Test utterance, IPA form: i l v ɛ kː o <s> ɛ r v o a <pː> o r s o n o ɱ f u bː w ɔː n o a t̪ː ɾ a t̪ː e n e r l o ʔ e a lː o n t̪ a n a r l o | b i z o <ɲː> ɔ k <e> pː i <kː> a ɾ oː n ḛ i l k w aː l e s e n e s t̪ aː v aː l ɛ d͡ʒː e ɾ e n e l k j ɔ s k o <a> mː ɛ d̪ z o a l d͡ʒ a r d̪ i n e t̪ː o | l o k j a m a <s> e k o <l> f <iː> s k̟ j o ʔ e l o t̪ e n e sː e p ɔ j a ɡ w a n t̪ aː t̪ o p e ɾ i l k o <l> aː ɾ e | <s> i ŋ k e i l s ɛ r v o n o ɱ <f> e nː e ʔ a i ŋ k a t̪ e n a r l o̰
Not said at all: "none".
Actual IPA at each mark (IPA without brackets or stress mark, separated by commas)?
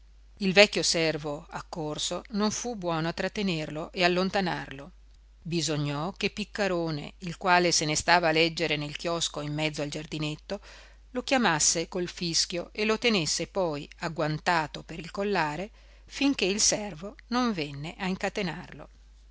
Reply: s, kː, ɲː, e, kː, i, sː, l, i, lː, f, v